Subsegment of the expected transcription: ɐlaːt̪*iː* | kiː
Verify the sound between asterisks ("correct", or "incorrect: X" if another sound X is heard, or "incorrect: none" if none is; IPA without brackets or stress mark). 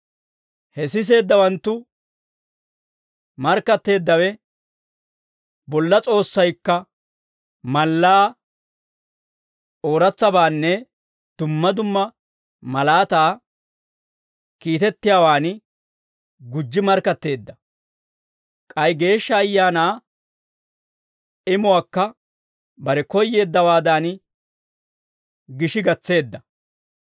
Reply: incorrect: aː